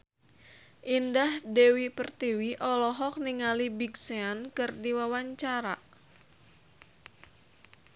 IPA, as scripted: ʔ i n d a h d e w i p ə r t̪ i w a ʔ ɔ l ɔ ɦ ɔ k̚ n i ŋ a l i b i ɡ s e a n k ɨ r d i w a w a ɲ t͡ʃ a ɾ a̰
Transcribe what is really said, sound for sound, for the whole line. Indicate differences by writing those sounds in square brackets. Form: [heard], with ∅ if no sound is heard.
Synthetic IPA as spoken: ʔ i n d a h d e w i p ə r t̪ i w [i] ʔ ɔ l ɔ ɦ ɔ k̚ n i ŋ a l i b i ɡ s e a n k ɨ r d i w a w a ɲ t͡ʃ a ɾ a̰